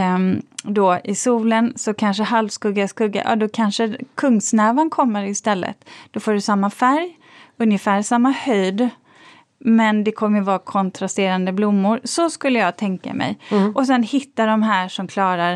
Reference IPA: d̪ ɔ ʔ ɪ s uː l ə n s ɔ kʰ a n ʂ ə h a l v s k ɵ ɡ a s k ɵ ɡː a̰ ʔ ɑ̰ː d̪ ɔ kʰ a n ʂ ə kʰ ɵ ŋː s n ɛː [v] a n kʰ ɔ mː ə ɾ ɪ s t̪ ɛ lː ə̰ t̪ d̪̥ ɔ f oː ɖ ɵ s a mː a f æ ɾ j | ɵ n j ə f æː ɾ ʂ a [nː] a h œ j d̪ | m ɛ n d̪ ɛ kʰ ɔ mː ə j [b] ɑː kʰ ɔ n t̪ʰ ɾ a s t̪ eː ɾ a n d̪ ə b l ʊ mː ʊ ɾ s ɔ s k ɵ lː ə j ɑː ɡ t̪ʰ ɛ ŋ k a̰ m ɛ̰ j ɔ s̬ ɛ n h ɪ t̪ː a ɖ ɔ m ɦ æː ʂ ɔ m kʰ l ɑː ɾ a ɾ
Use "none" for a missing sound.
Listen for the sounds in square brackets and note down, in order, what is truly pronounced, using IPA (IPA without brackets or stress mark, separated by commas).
v, mː, v